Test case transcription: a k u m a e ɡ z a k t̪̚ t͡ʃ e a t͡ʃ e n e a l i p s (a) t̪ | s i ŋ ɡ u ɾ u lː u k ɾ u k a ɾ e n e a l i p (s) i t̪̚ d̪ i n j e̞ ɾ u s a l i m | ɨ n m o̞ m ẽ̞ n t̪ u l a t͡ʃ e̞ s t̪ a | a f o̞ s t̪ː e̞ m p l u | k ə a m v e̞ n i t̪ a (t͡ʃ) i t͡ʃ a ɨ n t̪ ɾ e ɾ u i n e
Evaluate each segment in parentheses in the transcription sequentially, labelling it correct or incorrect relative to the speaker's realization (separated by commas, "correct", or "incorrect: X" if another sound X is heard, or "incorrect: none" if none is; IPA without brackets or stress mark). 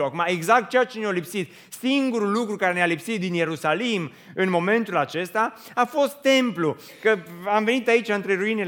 incorrect: i, correct, incorrect: none